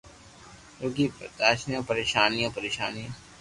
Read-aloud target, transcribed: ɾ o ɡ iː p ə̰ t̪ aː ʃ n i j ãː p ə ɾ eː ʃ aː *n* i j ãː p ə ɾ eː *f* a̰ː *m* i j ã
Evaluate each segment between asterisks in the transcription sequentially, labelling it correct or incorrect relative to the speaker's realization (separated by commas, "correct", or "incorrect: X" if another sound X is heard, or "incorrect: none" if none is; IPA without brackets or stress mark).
correct, incorrect: ʃ, incorrect: n